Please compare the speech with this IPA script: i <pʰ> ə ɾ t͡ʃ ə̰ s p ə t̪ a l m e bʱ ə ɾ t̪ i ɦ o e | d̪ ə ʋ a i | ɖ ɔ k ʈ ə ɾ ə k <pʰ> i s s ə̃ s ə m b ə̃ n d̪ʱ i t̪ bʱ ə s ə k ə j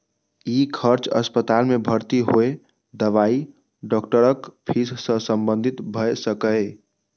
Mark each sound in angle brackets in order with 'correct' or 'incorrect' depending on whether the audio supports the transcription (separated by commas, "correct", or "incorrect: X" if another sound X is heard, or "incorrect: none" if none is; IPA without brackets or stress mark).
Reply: incorrect: kʰ, correct